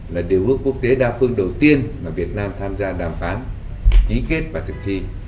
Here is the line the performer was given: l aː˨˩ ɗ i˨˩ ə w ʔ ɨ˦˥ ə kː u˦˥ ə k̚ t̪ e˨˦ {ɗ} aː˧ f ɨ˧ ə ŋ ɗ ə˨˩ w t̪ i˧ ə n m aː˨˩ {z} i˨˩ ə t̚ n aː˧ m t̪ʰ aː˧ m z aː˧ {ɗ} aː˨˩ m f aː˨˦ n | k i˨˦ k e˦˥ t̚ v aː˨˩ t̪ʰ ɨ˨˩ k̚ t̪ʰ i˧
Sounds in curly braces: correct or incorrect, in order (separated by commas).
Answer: correct, incorrect, correct